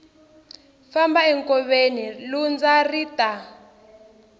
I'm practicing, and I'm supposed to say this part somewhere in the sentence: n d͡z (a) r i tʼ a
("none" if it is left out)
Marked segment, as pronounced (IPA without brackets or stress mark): a